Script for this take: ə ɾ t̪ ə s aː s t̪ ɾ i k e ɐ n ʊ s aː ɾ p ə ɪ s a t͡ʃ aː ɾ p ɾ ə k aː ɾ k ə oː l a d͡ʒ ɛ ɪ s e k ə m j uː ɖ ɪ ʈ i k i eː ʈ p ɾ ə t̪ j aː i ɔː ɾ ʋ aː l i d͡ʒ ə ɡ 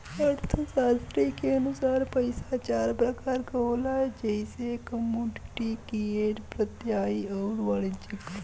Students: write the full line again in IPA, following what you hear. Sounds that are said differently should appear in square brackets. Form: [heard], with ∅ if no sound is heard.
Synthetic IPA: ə ɾ [t̪ʰ] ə s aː s t̪ ɾ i k e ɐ n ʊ s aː ɾ p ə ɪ s a t͡ʃ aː ɾ p ɾ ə k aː ɾ k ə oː l a d͡ʒ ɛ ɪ s e k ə m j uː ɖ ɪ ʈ i k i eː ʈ p ɾ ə t̪ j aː i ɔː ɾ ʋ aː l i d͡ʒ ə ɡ